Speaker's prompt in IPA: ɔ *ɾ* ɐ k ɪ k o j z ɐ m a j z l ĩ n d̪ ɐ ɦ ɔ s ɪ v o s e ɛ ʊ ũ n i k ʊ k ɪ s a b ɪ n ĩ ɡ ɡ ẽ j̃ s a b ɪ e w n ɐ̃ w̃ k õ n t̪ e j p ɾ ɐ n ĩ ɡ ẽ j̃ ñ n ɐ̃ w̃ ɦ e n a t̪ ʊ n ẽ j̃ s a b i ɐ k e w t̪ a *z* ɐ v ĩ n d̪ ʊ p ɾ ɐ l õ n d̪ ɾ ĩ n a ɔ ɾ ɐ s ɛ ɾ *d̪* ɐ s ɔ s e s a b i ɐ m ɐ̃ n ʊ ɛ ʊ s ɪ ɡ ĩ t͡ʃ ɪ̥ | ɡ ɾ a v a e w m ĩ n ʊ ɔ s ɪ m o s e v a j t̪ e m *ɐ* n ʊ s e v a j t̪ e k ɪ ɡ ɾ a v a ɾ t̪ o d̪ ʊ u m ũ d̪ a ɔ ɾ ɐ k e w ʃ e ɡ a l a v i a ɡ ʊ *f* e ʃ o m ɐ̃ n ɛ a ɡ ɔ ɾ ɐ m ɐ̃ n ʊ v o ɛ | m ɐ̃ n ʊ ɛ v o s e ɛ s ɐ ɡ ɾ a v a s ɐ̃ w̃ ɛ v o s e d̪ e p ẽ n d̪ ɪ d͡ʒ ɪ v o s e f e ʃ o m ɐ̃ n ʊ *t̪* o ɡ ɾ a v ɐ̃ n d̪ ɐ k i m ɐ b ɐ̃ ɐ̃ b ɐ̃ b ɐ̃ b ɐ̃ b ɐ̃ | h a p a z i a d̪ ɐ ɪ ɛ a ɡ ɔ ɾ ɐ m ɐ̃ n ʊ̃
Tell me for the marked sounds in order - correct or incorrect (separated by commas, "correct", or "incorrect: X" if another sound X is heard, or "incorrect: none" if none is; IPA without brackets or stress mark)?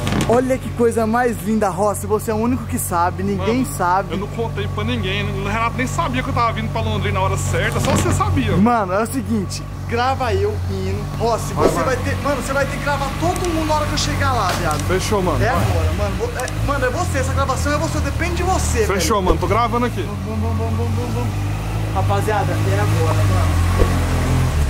incorrect: ʎ, incorrect: v, incorrect: t̪, incorrect: ɐ̃, correct, correct